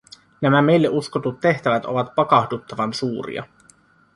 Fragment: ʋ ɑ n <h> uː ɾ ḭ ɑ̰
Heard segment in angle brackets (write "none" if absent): s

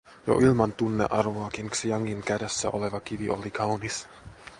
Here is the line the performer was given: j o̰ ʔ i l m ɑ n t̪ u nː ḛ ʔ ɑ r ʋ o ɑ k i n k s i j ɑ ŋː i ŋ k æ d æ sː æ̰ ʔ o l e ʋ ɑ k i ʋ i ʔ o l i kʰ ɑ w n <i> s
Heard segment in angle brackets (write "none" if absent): i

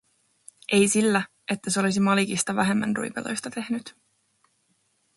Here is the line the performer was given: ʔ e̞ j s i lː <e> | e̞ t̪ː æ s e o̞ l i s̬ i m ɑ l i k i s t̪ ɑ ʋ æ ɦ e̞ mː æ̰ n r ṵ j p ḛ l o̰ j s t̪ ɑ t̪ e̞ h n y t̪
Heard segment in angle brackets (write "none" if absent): æ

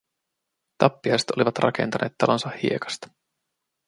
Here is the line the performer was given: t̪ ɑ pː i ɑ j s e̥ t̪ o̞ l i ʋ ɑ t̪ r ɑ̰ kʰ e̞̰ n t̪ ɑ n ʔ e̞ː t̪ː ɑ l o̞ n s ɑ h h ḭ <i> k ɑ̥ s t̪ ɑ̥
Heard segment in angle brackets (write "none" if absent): e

